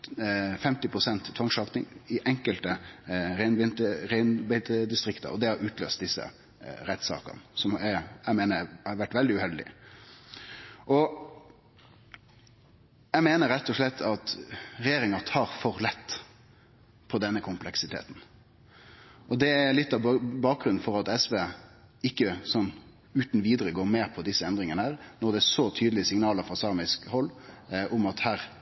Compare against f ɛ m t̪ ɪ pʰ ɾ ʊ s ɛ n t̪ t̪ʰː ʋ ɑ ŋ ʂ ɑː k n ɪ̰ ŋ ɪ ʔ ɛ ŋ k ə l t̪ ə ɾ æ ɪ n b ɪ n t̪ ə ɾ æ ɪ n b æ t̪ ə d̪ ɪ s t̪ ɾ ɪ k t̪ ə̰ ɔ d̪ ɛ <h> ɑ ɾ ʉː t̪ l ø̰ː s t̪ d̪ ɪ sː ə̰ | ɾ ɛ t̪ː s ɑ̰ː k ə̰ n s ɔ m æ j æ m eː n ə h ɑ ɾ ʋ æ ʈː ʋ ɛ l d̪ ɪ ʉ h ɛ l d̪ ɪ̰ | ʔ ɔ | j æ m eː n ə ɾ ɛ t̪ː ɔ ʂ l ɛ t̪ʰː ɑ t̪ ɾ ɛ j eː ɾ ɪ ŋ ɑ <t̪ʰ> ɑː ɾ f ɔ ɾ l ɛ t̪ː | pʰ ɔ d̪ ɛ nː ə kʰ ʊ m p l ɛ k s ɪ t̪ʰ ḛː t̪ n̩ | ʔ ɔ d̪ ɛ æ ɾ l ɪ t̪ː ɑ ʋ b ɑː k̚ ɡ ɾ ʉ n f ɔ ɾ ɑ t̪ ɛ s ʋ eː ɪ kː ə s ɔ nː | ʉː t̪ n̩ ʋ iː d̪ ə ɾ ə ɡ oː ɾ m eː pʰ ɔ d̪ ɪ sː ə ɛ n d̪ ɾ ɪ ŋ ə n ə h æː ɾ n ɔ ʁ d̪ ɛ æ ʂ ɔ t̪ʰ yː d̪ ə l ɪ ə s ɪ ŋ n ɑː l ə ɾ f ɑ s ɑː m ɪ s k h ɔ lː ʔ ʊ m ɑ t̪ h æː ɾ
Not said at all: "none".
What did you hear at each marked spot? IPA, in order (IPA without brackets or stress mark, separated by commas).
h, t̪ʰ